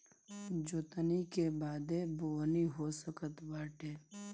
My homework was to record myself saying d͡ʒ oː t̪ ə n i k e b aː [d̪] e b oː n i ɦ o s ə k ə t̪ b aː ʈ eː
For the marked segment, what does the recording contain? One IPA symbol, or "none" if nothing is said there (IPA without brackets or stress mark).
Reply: d̪